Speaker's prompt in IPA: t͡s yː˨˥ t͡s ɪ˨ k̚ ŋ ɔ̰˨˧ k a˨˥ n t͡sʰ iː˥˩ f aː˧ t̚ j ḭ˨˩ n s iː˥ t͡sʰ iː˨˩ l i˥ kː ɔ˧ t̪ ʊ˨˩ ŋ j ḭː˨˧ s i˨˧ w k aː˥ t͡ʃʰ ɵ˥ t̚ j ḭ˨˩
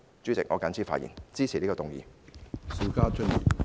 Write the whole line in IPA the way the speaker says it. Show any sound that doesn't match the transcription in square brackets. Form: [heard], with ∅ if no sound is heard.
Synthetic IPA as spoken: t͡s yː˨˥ t͡s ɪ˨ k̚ ŋ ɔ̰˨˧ k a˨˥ n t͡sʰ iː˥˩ f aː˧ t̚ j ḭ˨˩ n [t͡s] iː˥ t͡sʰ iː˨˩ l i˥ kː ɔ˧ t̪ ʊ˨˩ ŋ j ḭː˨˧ s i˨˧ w k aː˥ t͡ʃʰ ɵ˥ t̚ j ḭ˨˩